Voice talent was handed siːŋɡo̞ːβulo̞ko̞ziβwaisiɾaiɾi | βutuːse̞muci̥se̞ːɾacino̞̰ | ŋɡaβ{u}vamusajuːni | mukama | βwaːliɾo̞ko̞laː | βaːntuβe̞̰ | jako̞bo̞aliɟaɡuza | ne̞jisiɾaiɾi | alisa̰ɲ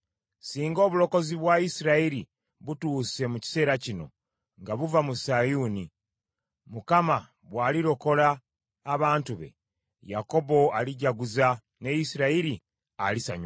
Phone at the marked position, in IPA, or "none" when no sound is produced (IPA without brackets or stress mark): u